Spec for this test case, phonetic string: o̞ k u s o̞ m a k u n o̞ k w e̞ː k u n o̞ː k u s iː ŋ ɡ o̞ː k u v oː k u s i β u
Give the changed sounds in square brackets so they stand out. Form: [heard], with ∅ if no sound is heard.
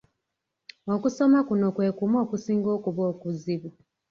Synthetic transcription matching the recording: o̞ k u s o̞ m a k u n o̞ k w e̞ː k u [m] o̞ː k u s iː ŋ ɡ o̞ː k u [β] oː k u [z] i β u